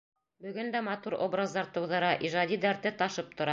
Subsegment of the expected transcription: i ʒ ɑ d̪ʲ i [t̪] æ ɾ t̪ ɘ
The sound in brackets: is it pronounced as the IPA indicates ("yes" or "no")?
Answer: no